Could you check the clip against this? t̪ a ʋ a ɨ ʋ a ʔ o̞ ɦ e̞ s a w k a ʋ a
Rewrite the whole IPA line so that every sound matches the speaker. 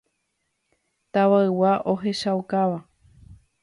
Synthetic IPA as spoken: t̪ a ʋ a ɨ w a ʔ o̞ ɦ e̞ ʃ a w k a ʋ a